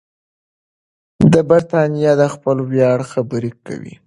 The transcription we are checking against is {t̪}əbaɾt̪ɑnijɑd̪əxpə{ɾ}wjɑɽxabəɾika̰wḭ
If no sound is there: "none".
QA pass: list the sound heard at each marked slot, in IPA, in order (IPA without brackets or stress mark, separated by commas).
d̪, l